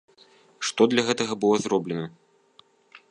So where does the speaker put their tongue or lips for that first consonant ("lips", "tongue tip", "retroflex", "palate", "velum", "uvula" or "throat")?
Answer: retroflex